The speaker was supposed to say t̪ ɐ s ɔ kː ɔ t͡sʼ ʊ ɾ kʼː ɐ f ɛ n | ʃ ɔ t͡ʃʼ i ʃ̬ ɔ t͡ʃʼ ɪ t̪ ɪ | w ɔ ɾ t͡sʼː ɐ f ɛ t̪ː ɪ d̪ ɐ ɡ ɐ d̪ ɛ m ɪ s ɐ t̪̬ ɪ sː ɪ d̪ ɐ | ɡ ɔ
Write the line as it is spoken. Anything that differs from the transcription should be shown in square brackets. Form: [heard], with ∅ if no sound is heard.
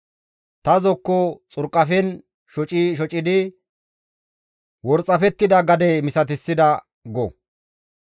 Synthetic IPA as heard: t̪ ɐ [z] ɔ kː ɔ t͡sʼ ʊ ɾ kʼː ɐ f ɛ n | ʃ ɔ t͡ʃʼ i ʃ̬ ɔ t͡ʃʼ ɪ [d̪] ɪ | w ɔ ɾ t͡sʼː ɐ f ɛ t̪ː ɪ d̪ ɐ ɡ ɐ d̪ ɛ m ɪ s ɐ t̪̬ ɪ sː ɪ d̪ ɐ | ɡ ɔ